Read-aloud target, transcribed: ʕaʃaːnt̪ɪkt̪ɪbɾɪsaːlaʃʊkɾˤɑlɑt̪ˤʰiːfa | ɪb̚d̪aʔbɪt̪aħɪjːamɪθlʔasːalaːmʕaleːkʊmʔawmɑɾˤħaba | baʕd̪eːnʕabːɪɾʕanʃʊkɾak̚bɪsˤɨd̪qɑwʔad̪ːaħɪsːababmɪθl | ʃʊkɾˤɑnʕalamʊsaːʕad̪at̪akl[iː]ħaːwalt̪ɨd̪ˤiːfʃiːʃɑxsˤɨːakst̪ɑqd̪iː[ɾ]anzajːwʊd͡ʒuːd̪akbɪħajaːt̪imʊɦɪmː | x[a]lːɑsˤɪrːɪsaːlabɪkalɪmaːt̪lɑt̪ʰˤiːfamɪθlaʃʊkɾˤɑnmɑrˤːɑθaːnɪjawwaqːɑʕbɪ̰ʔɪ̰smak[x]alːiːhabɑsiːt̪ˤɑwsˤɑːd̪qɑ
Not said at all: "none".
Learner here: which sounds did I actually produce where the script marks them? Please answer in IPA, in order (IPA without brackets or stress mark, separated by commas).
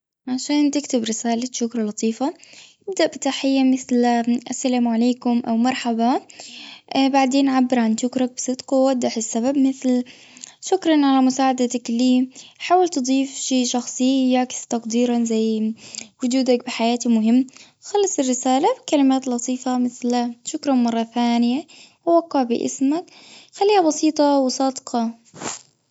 iː, ɾ, ɑ, x